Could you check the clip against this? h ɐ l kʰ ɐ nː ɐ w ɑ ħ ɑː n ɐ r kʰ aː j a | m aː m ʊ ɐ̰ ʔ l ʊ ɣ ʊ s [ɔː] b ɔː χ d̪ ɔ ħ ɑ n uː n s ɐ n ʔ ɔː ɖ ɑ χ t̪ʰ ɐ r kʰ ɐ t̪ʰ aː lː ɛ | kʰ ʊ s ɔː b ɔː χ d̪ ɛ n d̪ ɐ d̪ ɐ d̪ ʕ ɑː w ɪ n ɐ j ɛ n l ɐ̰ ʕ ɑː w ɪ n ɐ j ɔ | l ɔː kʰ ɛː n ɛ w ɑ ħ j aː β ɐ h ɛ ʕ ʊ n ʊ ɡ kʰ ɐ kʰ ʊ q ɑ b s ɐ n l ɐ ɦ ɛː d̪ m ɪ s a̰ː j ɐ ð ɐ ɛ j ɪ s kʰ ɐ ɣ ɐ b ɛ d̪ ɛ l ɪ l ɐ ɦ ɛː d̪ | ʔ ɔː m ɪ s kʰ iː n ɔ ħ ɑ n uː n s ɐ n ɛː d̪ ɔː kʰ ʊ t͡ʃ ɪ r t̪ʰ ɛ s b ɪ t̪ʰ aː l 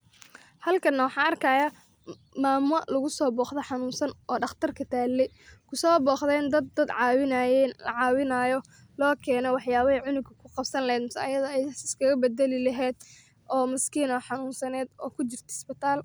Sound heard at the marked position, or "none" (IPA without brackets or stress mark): ɔː